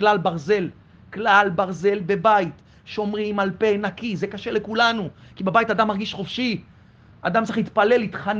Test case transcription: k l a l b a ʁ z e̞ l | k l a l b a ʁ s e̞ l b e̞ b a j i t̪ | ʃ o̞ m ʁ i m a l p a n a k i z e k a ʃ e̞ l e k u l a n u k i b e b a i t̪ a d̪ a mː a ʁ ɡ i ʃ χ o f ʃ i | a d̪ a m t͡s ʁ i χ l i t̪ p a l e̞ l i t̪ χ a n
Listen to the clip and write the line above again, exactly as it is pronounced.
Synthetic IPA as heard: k l a l b a ʁ z e̞ l | k l a l b a ʁ z e̞ l b e̞ b a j i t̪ | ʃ o̞ m ʁ i m a l p e n a k i z e k a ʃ e̞ l e k u l a n u k i b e b a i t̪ a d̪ a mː a ʁ ɡ i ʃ χ o f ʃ i | a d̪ a m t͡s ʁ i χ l i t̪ p a l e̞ l i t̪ χ a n